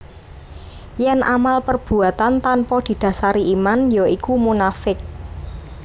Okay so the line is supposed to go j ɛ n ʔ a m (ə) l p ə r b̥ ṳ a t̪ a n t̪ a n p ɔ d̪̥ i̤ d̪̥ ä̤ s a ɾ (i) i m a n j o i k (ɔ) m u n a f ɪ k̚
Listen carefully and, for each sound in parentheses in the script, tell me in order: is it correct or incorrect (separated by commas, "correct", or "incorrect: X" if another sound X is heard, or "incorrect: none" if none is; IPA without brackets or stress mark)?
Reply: incorrect: a, correct, incorrect: u